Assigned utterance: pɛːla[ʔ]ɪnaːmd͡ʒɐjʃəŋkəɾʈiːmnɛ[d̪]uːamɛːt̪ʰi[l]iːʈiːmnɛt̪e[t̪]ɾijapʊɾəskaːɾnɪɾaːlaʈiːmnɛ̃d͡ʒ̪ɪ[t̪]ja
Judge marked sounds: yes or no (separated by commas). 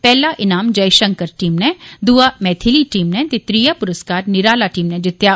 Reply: yes, yes, yes, yes, yes